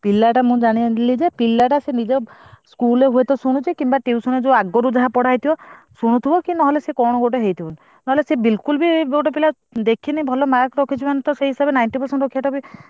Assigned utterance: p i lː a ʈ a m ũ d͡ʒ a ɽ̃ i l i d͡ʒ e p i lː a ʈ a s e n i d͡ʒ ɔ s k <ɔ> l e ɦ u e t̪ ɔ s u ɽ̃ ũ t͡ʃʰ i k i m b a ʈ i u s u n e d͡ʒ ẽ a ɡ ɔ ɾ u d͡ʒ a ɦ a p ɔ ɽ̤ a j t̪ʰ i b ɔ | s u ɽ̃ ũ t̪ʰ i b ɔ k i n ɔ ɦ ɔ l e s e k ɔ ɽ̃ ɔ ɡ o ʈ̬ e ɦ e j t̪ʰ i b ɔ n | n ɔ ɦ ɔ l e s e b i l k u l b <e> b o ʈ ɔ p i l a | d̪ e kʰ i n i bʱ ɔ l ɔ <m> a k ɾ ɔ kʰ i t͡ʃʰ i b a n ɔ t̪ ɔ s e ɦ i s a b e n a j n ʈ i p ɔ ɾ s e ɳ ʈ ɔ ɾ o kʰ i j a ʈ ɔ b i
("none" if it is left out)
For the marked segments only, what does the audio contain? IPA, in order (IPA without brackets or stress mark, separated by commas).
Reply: u, i, m